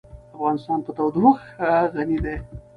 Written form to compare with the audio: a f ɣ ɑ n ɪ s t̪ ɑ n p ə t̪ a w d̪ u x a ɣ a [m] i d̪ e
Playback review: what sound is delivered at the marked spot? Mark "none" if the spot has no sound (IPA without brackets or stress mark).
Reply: n